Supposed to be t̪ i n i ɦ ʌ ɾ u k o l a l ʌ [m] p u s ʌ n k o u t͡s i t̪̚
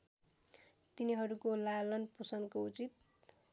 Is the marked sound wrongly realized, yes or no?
yes